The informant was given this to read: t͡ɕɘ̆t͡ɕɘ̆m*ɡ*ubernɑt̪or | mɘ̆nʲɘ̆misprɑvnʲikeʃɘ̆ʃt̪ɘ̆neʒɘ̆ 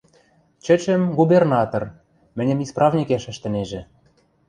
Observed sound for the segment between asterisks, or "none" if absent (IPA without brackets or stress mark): ɡ